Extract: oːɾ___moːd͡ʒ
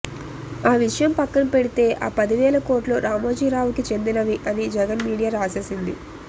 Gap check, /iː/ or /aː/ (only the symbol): aː